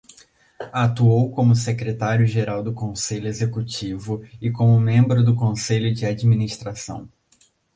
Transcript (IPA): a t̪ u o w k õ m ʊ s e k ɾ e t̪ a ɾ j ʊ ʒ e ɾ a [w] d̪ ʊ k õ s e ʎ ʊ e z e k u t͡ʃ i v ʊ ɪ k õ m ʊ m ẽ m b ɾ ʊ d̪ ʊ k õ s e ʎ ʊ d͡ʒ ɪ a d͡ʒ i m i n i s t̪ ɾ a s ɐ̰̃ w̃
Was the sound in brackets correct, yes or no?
yes